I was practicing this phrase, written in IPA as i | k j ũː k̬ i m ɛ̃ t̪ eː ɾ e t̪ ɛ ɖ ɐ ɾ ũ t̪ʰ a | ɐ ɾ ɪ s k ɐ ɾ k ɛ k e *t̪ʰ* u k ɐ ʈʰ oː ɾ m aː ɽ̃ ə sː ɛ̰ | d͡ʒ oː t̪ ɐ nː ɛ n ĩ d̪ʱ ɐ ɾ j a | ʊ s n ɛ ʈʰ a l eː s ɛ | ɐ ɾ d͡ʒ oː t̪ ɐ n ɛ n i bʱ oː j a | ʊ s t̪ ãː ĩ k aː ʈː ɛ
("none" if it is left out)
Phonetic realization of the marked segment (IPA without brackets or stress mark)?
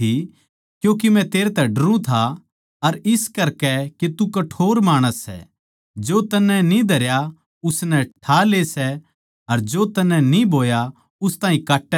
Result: t̪